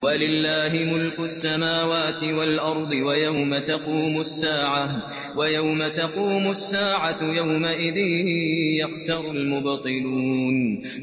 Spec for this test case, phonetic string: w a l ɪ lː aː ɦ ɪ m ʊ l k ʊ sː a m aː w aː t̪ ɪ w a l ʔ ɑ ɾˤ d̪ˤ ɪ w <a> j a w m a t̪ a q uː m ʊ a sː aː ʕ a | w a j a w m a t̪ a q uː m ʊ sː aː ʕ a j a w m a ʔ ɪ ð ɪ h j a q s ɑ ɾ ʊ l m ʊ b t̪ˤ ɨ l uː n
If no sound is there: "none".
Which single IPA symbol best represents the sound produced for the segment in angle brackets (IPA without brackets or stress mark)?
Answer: a